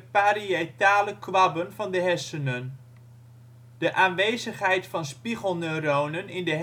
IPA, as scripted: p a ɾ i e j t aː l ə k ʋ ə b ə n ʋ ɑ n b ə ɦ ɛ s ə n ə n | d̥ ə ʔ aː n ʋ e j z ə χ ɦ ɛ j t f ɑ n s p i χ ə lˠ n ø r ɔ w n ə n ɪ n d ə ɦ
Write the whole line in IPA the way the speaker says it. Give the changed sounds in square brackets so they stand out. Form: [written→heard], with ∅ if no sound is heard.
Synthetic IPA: p a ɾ i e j t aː l ə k ʋ [ə→ɑ] b ə n [ʋ→v] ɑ n [b→d] ə ɦ ɛ s ə n ə n | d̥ ə ʔ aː n ʋ e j z ə χ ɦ ɛ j t f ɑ n s p i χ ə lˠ n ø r [ɔ→o] w n ə n ɪ n d ə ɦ